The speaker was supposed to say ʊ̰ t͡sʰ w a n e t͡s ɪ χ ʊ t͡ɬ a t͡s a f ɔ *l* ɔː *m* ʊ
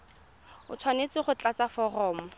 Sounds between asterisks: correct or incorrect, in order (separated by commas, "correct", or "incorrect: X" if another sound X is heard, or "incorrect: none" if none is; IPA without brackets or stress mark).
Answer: incorrect: r, correct